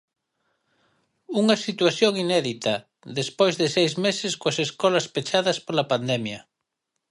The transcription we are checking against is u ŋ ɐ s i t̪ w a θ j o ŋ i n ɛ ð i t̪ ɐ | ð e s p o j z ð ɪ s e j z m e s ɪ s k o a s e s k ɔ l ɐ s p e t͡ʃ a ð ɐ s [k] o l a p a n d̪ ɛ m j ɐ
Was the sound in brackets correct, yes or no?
no